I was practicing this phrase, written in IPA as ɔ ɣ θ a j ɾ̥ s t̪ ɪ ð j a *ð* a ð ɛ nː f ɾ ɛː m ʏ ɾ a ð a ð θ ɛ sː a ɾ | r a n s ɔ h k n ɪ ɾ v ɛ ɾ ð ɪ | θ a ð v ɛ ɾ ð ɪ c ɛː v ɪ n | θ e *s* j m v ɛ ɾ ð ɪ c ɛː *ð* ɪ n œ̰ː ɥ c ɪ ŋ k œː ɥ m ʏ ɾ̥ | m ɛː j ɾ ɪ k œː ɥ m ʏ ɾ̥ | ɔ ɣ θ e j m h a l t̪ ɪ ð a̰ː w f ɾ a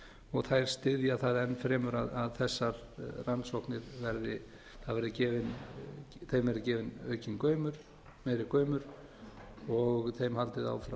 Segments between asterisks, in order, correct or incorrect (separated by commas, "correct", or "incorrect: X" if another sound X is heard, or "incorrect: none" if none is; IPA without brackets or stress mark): incorrect: θ, incorrect: none, incorrect: v